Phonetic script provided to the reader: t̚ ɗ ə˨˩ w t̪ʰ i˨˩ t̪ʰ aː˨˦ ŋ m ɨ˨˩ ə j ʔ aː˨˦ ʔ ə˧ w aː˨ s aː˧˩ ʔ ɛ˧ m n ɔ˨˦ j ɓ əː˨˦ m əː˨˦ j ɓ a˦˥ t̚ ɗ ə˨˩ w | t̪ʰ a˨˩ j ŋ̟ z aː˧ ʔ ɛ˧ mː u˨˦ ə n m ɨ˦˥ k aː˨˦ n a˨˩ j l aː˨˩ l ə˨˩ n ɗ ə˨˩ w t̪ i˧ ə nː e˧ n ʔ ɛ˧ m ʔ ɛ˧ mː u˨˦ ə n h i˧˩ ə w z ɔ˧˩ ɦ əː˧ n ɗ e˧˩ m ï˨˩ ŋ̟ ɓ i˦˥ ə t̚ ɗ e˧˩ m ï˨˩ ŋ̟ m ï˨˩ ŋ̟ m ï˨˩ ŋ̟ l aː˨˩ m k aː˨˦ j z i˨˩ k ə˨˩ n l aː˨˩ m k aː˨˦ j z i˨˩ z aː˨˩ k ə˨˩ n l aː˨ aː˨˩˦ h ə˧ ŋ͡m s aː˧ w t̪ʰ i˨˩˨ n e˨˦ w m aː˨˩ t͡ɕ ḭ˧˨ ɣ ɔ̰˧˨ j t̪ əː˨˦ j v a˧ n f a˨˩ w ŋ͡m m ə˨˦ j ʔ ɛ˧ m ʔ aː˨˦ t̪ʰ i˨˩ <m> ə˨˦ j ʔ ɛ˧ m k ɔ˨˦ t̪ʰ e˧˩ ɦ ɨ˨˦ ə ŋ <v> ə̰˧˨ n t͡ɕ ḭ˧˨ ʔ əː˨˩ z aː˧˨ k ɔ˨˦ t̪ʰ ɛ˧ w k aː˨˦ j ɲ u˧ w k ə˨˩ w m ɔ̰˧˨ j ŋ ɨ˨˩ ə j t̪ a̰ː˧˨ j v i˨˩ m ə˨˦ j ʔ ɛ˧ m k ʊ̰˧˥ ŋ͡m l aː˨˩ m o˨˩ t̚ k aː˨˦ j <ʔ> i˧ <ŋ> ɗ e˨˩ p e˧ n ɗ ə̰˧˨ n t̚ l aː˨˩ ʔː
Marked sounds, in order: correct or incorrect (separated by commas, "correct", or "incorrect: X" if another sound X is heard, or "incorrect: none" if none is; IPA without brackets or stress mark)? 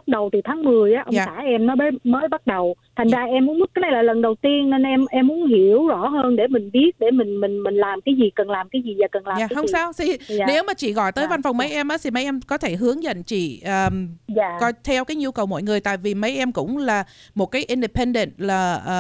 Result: correct, incorrect: z, correct, incorrect: n